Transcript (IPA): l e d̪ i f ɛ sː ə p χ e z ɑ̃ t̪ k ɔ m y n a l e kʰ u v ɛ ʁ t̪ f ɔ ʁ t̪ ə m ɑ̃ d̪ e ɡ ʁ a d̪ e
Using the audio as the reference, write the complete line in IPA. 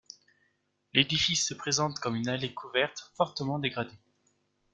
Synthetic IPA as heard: l e d̪ i f i sː ə p χ e z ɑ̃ t̪ k ɔ m y n a l e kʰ u v ɛ ʁ t̪ f ɔ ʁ t̪ ə m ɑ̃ d̪ e ɡ ʁ a d̪ e